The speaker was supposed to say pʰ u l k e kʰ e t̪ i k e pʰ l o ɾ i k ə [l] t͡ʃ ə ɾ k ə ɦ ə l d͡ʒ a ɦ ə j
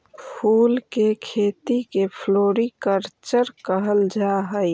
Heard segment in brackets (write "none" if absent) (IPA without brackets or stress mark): ɾ